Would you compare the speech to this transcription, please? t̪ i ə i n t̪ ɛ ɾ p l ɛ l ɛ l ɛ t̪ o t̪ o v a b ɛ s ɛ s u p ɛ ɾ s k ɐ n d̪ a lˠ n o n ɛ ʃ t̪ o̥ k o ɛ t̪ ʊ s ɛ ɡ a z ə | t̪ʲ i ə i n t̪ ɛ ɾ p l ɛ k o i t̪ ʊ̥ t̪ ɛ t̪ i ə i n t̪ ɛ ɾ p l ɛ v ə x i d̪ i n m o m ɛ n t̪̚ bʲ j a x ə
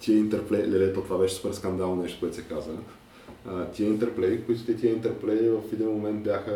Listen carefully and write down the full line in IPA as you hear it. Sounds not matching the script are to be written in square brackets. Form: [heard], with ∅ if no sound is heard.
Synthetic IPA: t̪ i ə i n t̪ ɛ ɾ p l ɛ l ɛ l ɛ t̪ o t̪ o v a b ɛ [ʃ] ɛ s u p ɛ ɾ s k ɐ n d̪ a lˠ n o n ɛ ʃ t̪ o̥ k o ɛ t̪ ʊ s ɛ [k] a z ə | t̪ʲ i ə i n t̪ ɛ ɾ p l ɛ k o i t̪ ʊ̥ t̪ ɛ t̪ i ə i n t̪ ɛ ɾ p l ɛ v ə [f] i d̪ i n m o m ɛ n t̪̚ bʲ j a x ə